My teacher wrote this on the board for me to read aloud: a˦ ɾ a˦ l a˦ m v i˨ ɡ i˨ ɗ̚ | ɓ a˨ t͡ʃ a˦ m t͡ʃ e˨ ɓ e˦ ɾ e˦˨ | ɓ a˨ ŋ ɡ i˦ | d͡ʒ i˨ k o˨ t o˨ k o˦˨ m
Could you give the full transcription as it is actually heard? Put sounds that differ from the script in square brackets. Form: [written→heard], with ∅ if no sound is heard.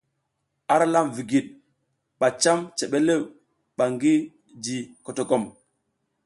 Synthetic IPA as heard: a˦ ɾ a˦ l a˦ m v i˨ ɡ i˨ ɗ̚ | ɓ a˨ t͡ʃ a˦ m t͡ʃ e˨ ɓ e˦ [ɾ→l] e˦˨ | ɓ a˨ ŋ ɡ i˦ | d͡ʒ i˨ k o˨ t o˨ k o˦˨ m